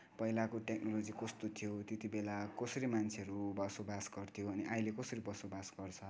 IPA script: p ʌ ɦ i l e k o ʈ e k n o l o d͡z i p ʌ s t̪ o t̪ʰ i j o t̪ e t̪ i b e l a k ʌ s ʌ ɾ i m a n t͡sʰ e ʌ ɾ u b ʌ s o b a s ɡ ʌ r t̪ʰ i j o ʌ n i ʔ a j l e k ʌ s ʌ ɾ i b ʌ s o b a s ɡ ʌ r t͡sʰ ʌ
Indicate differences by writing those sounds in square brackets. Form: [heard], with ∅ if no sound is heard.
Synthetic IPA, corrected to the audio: p ʌ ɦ i l [a] k o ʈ e k n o l o d͡z i [k] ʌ s t̪ o t̪ʰ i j o t̪ e t̪ i b e l a k ʌ s ʌ ɾ i m a n t͡sʰ e ʌ ɾ u b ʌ s o b a s ɡ ʌ r t̪ʰ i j o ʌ n i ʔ a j l e k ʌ s ʌ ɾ i b ʌ s o b a s ɡ ʌ r t͡sʰ ʌ

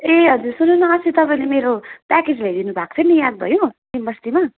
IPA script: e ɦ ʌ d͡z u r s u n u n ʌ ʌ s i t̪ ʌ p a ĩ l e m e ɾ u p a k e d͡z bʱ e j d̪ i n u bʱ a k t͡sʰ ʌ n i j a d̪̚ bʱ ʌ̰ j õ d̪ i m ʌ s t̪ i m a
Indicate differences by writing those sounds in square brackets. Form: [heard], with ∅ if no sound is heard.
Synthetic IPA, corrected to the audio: e ɦ ʌ d͡z u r s u n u n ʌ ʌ s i t̪ ʌ p a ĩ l e m e ɾ [o] p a k e d͡z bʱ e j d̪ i n u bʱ a k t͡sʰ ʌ n i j a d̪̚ bʱ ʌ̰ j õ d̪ i m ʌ s t̪ i m a

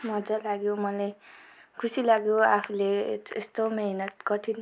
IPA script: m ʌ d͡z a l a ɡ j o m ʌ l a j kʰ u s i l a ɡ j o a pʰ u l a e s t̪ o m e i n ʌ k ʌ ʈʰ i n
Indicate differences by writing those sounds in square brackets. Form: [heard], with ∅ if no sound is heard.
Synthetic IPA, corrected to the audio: m ʌ d͡z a l a ɡ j o m ʌ l a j kʰ u s i l a ɡ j o a pʰ u l [e] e s t̪ o m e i n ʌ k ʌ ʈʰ i n

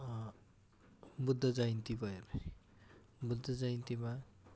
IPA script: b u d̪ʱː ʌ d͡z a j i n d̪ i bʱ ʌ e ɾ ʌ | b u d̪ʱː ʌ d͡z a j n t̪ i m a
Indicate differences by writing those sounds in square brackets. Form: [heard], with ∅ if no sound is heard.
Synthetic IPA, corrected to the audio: b u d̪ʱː ʌ d͡z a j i n [t̪] i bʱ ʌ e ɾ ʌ | b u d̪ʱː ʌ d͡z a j n t̪ i m a

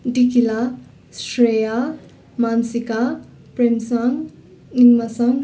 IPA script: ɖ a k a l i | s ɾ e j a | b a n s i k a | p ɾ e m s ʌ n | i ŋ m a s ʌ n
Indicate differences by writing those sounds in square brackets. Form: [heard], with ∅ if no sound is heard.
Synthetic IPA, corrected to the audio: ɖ [i] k [i] l [a] | s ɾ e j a | [m] a n s i k a | p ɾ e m s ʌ [ŋ] | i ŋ m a s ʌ [ŋ]

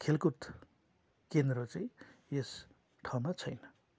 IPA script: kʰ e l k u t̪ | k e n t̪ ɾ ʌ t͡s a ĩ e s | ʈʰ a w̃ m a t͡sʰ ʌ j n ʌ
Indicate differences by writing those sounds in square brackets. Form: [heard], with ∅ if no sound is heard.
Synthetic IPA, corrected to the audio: kʰ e l k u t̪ | k e n [d̪] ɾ ʌ t͡s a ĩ e s | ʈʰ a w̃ m a t͡sʰ ʌ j n ʌ

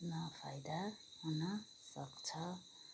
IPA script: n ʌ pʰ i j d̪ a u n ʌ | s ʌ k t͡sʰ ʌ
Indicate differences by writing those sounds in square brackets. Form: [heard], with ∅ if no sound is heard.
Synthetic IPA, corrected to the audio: n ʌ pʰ [a] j d̪ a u n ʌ | s ʌ k t͡sʰ ʌ

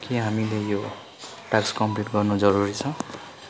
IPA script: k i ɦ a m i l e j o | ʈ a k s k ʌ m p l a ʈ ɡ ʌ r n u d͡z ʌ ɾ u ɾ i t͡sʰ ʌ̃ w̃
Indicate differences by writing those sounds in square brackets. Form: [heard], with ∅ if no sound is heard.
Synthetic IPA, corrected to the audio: k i ɦ a m i l e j o | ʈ a k s k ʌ m p l [i] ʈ ɡ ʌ r n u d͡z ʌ ɾ u ɾ i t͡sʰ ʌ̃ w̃

